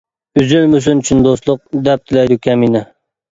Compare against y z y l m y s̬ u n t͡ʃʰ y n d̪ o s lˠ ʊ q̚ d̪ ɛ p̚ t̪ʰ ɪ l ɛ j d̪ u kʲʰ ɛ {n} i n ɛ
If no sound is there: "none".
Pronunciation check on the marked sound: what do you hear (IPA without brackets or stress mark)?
m